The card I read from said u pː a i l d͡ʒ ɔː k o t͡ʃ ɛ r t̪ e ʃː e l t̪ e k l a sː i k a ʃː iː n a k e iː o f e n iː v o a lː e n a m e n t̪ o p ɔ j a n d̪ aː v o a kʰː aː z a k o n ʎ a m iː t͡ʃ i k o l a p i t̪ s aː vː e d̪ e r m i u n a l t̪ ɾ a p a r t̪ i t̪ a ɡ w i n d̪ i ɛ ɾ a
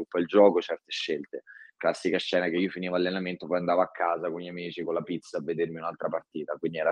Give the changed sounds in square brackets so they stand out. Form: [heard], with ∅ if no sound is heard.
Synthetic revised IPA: u pː a i l d͡ʒ ɔː k o t͡ʃ ɛ r t̪ e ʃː e l t̪ e k l a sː i k a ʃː [ɛː] n a k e iː o f [i] n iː v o a lː e n a m e n t̪ o p ɔ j a n d̪ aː v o a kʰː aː z a k o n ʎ a m iː t͡ʃ i k o l a p i t̪ s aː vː e d̪ e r m i u n a l t̪ ɾ a p a r t̪ [iː] t̪ a [k] w i n d̪ i ɛ ɾ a